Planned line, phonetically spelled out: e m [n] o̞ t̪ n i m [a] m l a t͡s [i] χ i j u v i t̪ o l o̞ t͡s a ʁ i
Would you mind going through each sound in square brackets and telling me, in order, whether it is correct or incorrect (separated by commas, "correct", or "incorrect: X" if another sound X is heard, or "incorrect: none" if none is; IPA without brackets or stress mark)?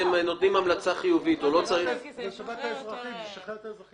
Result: correct, correct, incorrect: a